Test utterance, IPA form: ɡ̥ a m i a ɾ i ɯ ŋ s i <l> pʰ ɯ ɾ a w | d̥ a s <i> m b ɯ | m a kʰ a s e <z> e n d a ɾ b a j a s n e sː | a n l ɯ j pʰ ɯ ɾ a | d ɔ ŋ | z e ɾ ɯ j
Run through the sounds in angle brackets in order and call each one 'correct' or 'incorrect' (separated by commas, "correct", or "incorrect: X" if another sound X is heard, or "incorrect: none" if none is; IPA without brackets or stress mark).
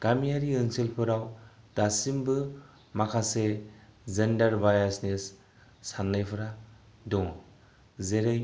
correct, correct, correct